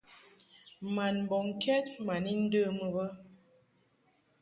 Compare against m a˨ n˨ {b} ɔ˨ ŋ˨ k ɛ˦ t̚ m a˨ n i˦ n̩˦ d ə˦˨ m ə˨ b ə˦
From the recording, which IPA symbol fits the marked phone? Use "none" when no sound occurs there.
b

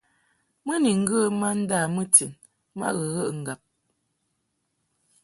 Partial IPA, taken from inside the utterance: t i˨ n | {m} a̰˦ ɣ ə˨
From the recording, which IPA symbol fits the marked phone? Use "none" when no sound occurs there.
m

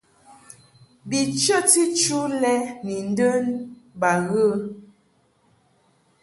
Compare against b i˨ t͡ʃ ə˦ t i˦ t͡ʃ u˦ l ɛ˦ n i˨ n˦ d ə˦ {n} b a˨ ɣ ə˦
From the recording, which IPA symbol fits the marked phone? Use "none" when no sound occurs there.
n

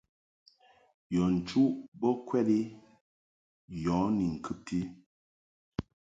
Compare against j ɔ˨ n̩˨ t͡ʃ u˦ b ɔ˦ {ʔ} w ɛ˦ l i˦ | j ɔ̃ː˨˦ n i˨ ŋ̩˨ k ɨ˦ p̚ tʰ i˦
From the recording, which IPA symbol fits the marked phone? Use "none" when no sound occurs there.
k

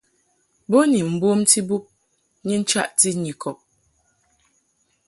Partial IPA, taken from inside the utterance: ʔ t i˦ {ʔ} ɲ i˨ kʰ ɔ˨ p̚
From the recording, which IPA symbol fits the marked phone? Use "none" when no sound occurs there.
none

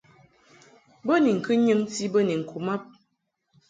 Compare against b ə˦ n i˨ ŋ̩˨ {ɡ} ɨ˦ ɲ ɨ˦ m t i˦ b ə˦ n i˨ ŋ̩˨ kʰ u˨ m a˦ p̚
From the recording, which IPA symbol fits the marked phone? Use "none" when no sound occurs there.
k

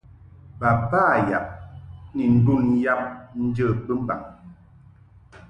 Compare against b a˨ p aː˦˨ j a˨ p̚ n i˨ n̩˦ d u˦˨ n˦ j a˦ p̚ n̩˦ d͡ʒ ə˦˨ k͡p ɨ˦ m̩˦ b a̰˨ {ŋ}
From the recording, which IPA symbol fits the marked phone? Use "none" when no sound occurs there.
ŋ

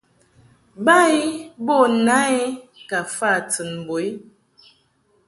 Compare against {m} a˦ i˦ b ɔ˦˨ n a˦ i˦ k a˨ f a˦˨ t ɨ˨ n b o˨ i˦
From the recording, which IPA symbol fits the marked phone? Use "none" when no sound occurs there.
b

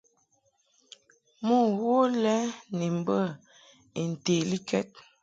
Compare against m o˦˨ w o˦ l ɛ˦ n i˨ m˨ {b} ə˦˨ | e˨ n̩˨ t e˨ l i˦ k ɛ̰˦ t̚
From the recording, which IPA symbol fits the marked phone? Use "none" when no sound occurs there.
b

